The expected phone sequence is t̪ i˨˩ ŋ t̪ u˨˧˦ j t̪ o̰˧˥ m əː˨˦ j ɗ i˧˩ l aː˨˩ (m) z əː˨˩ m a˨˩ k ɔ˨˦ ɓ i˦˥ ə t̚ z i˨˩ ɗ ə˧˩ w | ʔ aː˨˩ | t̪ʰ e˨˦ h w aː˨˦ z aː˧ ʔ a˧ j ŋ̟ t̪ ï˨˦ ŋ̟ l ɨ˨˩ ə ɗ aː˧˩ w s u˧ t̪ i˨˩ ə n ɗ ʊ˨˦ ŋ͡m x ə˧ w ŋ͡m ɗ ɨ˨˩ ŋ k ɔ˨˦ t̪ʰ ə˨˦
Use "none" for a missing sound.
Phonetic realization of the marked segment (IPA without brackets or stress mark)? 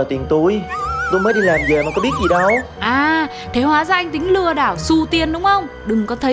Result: m